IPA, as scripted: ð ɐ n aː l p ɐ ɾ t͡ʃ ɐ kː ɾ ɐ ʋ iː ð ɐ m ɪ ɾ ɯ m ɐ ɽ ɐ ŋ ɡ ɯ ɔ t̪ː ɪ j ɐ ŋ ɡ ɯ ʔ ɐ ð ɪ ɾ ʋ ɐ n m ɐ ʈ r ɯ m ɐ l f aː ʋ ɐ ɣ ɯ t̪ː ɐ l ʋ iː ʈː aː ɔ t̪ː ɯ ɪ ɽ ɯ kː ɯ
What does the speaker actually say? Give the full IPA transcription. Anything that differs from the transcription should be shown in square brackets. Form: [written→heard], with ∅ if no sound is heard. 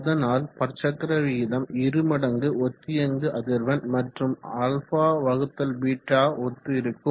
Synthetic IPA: ð ɐ n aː l p ɐ ɾ t͡ʃ ɐ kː ɾ ɐ ʋ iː ð ɐ m ɪ ɾ ɯ m ɐ ɽ ɐ ŋ ɡ ɯ ɔ t̪ː ɪ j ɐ ŋ ɡ ɯ ʔ ɐ ð ɪ ɾ ʋ ɐ n m ɐ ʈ r ɯ m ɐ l f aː ʋ ɐ ɣ ɯ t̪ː ɐ l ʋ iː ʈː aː ɔ t̪ː ɯ ɪ [ɽ→ɾ] ɯ kː ɯ